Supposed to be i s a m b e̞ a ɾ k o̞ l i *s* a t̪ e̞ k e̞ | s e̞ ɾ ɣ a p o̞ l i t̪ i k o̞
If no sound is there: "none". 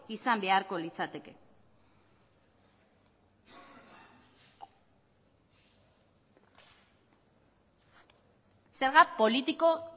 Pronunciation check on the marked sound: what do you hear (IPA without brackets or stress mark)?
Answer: t͡s